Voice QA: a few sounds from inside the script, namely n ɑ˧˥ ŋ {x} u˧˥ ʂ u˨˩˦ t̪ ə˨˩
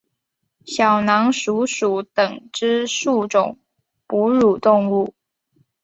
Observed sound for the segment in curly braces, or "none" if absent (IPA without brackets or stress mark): ʂ